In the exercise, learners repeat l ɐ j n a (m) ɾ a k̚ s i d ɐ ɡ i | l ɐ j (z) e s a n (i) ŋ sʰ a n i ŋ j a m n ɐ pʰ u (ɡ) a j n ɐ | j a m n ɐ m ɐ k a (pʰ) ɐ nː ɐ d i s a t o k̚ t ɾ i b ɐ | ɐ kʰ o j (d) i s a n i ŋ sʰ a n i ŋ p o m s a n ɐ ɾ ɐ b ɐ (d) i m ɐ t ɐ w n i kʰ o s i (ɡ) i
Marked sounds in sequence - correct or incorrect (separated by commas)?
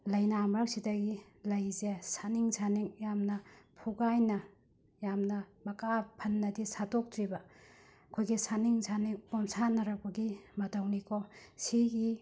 correct, correct, correct, correct, correct, incorrect, incorrect, correct